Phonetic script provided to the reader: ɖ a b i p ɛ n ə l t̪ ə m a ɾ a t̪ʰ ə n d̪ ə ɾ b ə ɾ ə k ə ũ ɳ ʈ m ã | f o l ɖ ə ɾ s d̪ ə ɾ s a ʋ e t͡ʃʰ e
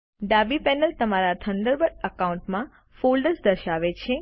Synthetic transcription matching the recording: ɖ a b i p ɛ n ə l t̪ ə m a ɾ a t̪ʰ ə n d̪ ə ɾ b ə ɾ ə k a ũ ɳ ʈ m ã | f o l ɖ ə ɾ s d̪ ə ɾ ʃ a ʋ e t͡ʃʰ e